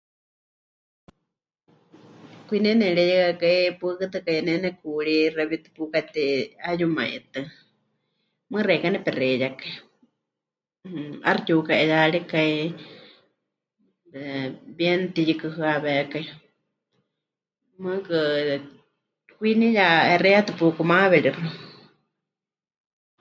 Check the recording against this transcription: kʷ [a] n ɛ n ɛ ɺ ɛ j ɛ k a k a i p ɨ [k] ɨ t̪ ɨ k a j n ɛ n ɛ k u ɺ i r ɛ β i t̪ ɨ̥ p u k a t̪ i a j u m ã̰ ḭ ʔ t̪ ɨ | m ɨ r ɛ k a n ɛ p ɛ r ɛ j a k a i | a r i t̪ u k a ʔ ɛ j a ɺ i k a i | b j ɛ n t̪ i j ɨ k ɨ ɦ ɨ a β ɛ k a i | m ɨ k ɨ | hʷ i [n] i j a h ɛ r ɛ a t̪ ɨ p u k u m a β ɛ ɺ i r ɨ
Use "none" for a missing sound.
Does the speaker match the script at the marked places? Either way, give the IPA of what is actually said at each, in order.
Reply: i, k, n

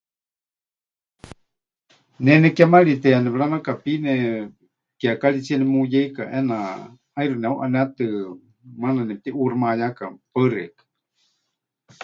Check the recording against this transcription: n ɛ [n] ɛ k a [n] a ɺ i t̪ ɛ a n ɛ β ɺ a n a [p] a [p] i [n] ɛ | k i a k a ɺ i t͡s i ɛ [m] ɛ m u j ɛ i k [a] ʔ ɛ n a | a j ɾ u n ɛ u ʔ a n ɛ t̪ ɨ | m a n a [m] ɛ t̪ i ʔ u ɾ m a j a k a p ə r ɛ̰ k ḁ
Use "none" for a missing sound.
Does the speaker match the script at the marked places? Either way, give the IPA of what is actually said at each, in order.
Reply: n, m, k, p, n, n, a, n

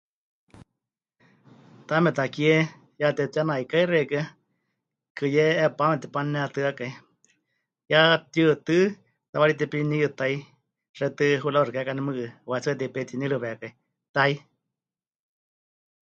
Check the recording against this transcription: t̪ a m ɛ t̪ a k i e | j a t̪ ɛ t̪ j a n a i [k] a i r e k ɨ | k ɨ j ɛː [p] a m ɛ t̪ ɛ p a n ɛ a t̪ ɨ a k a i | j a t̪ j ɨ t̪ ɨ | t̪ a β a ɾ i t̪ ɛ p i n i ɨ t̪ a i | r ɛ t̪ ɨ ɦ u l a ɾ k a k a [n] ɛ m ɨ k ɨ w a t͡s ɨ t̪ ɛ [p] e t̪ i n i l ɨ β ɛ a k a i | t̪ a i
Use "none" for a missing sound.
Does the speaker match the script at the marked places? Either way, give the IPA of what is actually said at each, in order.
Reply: k, p, n, p

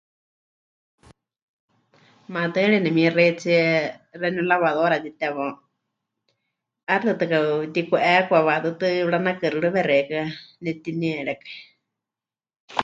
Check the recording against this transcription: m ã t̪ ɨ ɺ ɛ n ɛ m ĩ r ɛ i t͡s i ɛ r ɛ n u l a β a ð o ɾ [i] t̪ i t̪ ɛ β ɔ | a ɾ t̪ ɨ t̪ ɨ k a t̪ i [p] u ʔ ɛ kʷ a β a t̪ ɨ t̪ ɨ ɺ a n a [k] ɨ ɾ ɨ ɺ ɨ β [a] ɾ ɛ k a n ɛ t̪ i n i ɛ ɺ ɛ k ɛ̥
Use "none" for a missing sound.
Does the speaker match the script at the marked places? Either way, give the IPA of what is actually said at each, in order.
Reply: a, k, k, ɛ

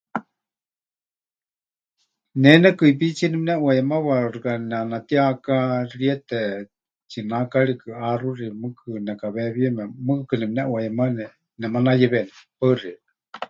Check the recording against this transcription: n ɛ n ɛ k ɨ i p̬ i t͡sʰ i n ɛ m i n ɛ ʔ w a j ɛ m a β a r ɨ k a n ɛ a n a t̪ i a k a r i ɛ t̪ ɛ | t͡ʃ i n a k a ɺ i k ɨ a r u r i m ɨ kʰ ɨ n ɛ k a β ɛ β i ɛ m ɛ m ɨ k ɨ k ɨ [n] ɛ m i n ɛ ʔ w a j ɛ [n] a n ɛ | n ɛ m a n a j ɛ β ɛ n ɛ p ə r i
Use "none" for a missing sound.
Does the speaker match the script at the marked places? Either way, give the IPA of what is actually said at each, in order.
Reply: n, m

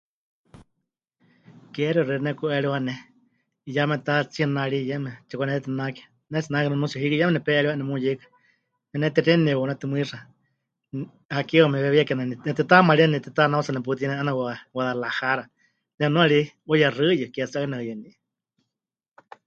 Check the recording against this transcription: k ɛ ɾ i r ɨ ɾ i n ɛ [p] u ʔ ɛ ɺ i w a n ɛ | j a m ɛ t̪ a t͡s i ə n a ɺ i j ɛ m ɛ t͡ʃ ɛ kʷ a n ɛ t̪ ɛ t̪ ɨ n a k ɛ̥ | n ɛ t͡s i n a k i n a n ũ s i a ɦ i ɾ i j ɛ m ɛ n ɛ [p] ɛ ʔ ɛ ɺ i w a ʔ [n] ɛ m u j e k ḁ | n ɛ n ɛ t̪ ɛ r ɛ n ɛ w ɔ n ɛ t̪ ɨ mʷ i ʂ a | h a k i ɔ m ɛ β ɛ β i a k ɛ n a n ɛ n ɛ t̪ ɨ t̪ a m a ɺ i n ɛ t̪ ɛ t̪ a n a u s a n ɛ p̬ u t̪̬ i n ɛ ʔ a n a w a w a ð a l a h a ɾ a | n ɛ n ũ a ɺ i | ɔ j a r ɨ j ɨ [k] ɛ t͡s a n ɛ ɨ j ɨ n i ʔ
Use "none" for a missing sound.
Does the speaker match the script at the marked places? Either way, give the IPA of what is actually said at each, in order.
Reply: k, p, n, k

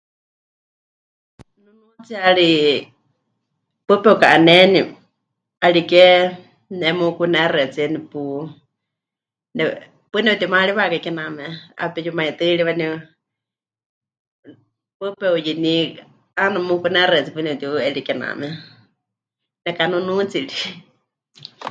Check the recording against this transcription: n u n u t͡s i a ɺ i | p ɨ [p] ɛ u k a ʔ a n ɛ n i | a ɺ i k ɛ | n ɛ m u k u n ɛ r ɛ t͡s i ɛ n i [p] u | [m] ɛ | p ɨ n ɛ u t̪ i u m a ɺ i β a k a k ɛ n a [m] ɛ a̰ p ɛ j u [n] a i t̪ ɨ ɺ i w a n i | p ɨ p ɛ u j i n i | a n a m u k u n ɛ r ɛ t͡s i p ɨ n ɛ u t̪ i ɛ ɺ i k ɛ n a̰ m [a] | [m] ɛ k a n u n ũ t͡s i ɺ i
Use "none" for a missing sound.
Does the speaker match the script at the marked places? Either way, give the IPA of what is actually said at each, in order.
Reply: p, p, n, m, m, ɛ, n

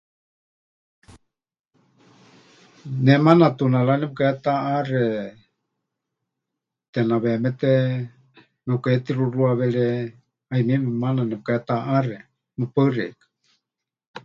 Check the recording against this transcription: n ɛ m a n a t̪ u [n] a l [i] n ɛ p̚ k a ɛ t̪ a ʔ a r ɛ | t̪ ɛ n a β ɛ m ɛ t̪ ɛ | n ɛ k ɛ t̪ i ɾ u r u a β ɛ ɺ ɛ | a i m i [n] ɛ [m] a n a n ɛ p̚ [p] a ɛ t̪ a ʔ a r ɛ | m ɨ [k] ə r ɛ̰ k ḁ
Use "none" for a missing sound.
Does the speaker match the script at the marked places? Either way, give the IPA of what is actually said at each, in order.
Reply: n, a, m, m, k, p

